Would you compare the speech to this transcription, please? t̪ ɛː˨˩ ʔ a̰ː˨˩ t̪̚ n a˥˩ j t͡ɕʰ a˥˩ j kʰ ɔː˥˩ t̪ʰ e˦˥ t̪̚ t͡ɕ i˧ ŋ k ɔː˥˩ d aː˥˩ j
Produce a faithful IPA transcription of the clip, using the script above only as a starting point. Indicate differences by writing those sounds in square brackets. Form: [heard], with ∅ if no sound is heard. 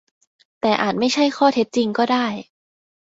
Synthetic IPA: t̪ ɛː˨˩ ʔ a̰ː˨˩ t̪̚ [m] a˥˩ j t͡ɕʰ a˥˩ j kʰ ɔː˥˩ t̪ʰ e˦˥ t̪̚ t͡ɕ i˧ ŋ k ɔː˥˩ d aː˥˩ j